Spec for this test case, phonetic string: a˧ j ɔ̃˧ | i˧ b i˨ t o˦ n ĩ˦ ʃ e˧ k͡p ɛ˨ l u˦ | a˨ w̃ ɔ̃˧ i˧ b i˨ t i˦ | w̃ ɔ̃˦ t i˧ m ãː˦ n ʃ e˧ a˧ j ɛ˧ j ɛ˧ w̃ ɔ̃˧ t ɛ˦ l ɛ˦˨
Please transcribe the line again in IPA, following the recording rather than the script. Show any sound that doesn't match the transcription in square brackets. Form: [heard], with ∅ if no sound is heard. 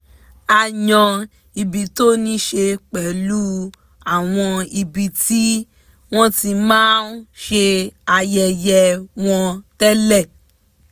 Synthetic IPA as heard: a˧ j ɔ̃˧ | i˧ b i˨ t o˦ n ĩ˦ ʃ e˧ k͡p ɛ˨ l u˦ | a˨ w̃ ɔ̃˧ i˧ b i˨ t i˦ | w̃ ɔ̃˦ t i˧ m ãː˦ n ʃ e˧ a˧ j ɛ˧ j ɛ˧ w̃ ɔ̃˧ t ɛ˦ l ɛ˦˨